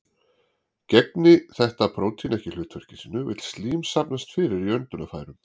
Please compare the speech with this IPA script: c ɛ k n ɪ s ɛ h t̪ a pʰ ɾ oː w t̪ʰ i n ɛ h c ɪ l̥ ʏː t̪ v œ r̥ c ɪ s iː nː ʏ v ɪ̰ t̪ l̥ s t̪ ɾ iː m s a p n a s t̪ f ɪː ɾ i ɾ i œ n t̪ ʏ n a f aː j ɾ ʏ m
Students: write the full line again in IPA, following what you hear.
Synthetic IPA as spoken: c ɛ k n ɪ θ ɛ h t̪ a pʰ ɾ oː w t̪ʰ i n ɛ h c ɪ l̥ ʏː t̪ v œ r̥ c ɪ s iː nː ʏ v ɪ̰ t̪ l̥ s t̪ l iː m s a p n a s t̪ f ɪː ɾ ɪ ɾ i œ n t̪ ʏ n a f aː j ɾ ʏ m